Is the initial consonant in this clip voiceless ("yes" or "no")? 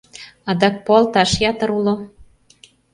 no